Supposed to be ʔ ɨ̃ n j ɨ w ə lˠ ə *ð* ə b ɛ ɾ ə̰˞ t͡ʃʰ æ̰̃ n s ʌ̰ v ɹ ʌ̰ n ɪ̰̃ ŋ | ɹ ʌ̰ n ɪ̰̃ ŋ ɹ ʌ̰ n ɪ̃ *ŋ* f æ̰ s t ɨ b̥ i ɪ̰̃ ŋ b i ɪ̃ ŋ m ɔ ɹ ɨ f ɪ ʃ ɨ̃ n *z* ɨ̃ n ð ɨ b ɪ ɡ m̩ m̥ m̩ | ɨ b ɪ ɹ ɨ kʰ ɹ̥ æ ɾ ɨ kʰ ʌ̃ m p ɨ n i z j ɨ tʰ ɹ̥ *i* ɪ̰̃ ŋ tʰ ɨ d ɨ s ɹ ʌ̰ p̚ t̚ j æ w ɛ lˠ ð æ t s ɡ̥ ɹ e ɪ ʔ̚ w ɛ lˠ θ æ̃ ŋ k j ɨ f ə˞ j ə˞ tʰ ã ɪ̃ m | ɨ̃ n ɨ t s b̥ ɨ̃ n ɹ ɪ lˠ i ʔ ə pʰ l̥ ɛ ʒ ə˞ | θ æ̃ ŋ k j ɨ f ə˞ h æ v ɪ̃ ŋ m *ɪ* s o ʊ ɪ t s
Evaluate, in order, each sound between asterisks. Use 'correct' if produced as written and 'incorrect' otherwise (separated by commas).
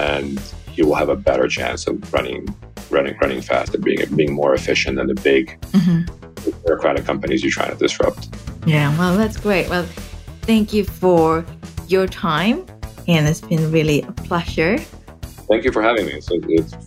incorrect, correct, incorrect, incorrect, incorrect